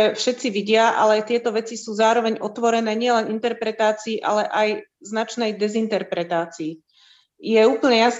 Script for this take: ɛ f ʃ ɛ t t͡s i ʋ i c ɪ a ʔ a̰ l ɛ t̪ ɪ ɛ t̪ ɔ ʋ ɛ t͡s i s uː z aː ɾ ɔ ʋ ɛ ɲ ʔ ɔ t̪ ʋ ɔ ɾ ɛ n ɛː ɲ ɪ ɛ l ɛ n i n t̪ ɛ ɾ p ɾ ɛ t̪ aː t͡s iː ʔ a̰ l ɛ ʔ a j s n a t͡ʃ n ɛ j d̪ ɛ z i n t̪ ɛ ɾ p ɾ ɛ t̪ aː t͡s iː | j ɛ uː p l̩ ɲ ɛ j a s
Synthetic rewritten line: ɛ f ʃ ɛ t t͡s i ʋ i ɟ ɪ a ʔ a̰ l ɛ t̪ ɪ ɛ t̪ ɔ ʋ ɛ t͡s i s uː z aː ɾ ɔ ʋ ɛ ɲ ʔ ɔ t̪ ʋ ɔ ɾ ɛ n ɛː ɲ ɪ ɛ l ɛ n i n t̪ ɛ ɾ p ɾ ɛ t̪ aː t͡s iː ʔ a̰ l ɛ ʔ a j z n a t͡ʃ n ɛ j d̪ ɛ z i n t̪ ɛ ɾ p ɾ ɛ t̪ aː t͡s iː | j ɛ uː p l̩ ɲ ɛ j a s